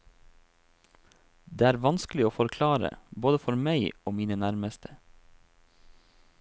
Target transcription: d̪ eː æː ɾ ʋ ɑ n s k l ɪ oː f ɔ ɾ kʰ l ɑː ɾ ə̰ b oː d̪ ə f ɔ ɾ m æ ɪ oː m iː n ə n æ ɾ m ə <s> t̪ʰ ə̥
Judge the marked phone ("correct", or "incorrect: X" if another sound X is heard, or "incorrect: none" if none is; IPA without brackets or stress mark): correct